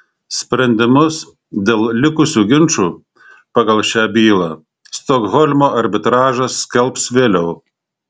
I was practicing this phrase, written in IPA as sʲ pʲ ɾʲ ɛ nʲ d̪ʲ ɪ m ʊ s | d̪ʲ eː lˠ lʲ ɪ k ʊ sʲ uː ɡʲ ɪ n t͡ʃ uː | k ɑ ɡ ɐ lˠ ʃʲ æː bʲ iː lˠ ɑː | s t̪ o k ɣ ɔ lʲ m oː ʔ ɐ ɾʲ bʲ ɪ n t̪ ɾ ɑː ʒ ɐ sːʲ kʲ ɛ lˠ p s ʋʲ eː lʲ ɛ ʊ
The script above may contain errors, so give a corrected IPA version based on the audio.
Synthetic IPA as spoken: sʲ pʲ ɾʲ ɛ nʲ d̪ʲ ɪ m ʊ s | d̪ʲ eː lˠ lʲ ɪ k ʊ sʲ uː ɡʲ ɪ n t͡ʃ uː | p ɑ ɡ ɐ lˠ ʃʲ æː bʲ iː lˠ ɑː | s t̪ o k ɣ ɔ lʲ m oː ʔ ɐ ɾʲ bʲ ɪ t̪ ɾ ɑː ʒ ɐ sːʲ kʲ ɛ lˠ p s ʋʲ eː lʲ ɛ ʊ